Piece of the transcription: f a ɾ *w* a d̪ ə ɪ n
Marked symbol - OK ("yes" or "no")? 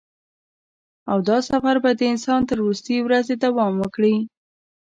no